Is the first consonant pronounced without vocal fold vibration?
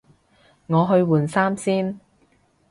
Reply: no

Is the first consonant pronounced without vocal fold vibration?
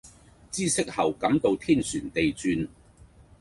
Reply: yes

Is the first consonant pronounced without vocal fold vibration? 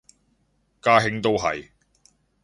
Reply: yes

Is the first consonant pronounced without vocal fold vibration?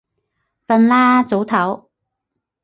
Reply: yes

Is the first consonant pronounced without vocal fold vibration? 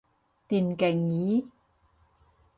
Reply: yes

